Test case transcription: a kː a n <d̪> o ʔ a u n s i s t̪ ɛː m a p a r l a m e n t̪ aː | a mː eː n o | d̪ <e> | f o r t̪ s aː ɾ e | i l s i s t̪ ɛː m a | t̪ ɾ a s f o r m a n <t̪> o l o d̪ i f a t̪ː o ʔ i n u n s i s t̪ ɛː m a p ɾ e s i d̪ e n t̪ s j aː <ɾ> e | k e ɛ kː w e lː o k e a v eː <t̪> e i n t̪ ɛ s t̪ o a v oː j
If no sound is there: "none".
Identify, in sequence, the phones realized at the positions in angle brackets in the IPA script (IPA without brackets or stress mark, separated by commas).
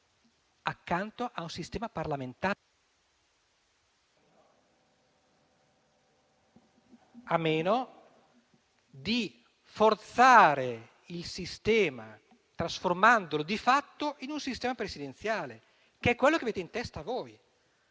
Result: t̪, i, d̪, l, t̪